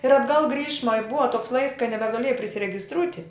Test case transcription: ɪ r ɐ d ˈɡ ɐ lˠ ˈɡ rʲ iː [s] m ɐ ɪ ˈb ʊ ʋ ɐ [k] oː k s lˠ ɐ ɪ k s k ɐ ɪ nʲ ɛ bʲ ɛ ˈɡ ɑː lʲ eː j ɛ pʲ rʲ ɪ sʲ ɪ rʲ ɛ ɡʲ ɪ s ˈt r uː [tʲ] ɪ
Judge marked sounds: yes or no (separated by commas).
no, no, yes